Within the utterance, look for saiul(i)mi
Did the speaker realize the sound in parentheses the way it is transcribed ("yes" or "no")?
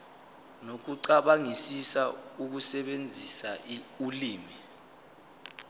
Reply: no